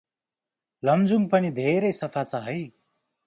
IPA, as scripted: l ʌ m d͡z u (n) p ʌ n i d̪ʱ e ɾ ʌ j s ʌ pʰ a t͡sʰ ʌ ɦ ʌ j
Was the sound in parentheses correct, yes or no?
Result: no